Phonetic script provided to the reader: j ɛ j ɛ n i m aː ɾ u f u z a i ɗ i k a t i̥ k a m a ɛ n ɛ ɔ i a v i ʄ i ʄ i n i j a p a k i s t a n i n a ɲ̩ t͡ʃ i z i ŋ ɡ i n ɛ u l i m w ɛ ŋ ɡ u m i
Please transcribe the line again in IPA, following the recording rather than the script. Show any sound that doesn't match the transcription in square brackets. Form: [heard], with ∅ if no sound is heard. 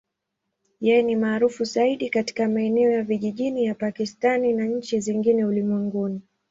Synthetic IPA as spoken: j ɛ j ɛ n i m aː ɾ u f u z a i ɗ i k a t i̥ k a m a ɛ n ɛ ɔ [j] a v i ʄ i ʄ i n i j a p a k i s t a n i n a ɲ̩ t͡ʃ i z i ŋ ɡ i n ɛ u l i m w ɛ ŋ ɡ u [n] i

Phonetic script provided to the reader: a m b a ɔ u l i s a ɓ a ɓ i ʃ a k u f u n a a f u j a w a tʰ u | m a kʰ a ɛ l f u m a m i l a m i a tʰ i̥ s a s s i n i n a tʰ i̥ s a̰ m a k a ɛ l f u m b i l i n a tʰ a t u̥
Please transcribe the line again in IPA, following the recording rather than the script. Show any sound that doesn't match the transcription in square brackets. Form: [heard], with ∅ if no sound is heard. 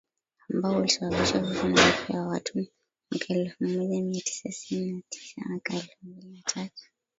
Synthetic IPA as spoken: a m b a ɔ u l i s a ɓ a ɓ i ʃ a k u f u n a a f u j a w a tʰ u | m a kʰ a ɛ l f u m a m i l a m i a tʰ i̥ s a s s i n i n a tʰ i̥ s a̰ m a k a ɛ l f u m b i l i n a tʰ a t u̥

